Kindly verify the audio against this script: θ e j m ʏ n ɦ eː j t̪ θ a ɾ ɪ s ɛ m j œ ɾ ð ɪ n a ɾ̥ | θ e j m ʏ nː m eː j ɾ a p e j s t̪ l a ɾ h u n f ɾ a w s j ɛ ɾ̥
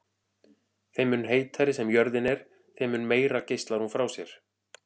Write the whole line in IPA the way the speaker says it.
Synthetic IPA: θ e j m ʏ n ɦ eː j t̪ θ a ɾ ɪ s ɛ m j œ ɾ ð ɪ n ɛ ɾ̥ | θ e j m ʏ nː m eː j ɾ a c e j s t̪ l a ɾ h u n f ɾ a w s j ɛ ɾ̥